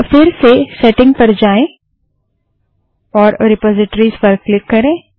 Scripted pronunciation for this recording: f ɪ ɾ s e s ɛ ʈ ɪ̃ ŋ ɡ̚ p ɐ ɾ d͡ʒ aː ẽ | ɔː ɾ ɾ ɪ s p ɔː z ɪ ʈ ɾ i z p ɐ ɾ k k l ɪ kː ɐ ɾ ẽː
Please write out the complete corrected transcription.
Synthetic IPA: f ɪ ɾ s e s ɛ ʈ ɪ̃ ŋ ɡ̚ p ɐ ɾ d͡ʒ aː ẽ | ɔː ɾ ɾ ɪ p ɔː z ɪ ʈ ɾ i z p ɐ ɾ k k l ɪ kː ɐ ɾ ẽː